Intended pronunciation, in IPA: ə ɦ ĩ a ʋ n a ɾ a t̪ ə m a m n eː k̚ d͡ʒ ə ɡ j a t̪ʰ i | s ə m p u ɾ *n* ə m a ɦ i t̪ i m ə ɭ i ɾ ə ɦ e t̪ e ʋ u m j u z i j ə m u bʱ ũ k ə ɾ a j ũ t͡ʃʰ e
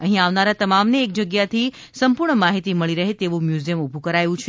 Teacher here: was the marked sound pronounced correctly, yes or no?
no